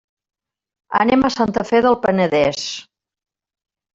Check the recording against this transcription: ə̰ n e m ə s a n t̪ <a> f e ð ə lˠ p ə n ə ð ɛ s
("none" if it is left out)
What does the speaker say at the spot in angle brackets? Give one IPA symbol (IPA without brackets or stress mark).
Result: ə